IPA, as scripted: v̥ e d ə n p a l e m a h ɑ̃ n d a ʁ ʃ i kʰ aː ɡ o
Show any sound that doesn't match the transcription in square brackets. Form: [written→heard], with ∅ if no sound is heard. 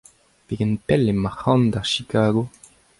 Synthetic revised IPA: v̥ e [d→ɡ] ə n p [a→ɛ] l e m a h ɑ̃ n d a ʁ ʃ i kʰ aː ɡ o